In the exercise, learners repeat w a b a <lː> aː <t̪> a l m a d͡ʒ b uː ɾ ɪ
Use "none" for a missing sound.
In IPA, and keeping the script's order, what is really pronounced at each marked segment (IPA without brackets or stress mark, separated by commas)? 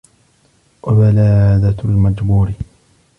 l, d̪